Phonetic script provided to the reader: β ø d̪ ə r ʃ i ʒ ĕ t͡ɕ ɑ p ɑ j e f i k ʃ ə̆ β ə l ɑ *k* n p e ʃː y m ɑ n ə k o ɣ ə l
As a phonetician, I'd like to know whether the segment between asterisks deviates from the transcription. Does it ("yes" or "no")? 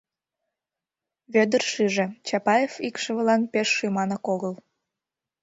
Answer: yes